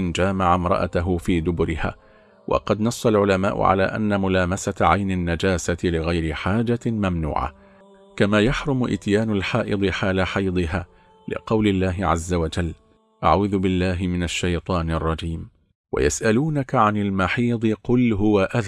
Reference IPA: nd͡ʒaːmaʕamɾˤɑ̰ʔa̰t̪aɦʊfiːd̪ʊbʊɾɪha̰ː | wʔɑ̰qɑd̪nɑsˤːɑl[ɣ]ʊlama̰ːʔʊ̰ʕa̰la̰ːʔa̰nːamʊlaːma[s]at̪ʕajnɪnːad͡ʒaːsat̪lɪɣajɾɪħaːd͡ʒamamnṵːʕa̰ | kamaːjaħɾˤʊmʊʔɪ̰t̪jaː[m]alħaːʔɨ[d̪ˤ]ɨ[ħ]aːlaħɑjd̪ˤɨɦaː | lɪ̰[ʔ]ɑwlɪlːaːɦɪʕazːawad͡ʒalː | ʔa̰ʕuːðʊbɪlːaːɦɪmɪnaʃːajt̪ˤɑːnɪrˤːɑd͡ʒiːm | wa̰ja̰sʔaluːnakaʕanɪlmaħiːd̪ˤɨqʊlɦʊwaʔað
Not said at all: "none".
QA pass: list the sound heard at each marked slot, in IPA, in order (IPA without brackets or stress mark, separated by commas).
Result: ʕ, s, n, d̪ˤ, ħ, q